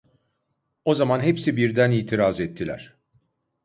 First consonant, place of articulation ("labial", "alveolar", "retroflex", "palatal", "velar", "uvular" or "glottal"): alveolar